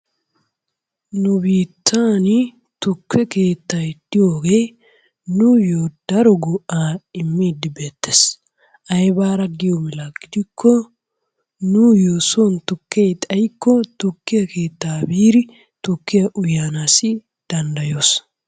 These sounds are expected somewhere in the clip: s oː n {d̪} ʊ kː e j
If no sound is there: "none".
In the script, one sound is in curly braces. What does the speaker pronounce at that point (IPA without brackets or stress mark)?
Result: t̪